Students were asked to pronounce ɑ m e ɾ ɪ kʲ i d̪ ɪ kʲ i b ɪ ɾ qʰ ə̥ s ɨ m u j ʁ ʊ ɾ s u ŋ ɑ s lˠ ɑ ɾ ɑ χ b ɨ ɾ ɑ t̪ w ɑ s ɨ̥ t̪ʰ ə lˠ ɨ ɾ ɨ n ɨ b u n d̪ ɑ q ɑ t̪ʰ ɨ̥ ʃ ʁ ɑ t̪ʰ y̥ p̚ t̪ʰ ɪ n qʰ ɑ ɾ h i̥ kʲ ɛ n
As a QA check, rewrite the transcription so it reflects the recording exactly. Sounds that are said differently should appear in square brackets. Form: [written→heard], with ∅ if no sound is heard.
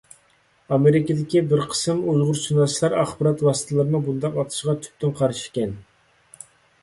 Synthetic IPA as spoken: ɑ m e ɾ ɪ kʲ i d̪ ɪ kʲ i b ɪ ɾ qʰ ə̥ s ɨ m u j ʁ ʊ ɾ s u [ŋ→n] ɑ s lˠ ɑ ɾ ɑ χ b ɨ ɾ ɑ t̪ w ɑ s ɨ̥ t̪ʰ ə lˠ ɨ ɾ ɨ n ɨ b u n d̪ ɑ q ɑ t̪ʰ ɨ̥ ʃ ʁ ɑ t̪ʰ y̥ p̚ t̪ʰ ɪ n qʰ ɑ ɾ [h→ʃ] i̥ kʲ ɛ n